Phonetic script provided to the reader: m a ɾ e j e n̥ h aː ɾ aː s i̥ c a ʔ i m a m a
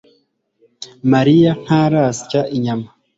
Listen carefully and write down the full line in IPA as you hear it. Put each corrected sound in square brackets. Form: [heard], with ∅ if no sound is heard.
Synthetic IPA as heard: m a ɾ [i] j [a] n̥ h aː ɾ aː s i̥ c a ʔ i [ɲ] a m a